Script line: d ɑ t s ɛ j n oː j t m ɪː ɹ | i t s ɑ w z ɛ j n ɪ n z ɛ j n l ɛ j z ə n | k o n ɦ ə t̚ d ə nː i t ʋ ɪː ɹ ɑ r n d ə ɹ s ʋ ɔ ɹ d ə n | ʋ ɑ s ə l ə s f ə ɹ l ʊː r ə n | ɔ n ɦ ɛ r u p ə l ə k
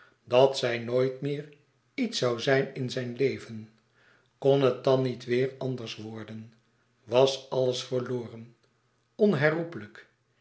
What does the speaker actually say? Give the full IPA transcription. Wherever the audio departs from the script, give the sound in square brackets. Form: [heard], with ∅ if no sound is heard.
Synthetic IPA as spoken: d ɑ t s ɛ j n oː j t m ɪː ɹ | i t s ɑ w z ɛ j n ɪ n z ɛ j n l [e] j [v] ə n | k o n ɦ ə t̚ d [ɑ] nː i t ʋ ɪː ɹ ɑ [∅] n d ə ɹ s ʋ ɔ ɹ d ə n | ʋ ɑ s [ɑ] l ə s f ə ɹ l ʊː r ə n | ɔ n ɦ ɛ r u p ə l ə k